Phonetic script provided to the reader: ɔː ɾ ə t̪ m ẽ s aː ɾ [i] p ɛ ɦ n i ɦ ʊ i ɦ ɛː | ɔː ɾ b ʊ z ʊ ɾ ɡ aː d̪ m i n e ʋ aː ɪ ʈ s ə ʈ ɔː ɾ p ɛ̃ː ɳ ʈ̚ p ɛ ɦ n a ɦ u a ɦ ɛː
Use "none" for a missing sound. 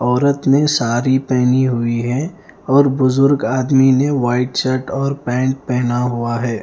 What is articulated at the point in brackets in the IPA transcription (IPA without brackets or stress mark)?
i